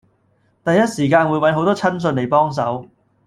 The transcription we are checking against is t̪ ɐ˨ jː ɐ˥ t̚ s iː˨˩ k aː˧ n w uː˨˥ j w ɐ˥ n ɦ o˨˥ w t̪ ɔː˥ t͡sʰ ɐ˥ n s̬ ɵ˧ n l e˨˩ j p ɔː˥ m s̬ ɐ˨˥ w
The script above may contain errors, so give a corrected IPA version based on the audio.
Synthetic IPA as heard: t̪ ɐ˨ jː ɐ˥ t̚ s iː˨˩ k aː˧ n w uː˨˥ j w ɐ˨˥ n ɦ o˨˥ w t̪ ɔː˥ t͡sʰ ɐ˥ n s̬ ɵ˧ n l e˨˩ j p ɔː˥ ŋ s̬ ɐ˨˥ w